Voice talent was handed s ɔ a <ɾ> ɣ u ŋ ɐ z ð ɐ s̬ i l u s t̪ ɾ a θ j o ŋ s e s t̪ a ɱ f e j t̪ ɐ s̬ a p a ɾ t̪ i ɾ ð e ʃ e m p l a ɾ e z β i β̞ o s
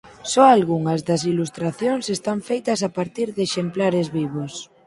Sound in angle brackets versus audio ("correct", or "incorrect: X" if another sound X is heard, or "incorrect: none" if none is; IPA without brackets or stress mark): incorrect: l